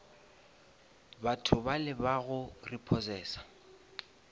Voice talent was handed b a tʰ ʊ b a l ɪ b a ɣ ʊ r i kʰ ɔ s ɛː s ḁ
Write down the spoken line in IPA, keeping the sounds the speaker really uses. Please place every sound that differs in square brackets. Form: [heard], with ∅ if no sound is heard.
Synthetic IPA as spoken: b a tʰ ʊ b a l ɪ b a ɣ ʊ r i [pʰ] ɔ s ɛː s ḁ